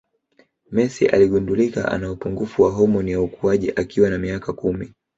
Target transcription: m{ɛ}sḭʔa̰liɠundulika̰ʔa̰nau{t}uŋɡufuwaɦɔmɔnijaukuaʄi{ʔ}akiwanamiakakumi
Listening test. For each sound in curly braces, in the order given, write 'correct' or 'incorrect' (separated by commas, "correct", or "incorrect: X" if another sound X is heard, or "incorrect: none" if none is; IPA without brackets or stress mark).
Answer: correct, incorrect: p, correct